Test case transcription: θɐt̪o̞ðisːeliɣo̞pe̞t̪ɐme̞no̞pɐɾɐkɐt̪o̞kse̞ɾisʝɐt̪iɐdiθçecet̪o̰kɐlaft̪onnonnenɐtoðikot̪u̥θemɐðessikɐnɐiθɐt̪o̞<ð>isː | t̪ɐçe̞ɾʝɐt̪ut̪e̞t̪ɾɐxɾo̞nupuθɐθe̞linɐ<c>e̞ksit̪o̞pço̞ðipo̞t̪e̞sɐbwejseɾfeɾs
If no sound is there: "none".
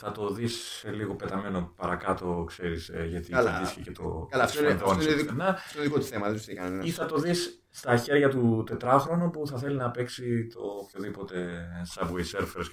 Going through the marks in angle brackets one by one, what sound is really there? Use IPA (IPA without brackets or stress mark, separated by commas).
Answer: ð, p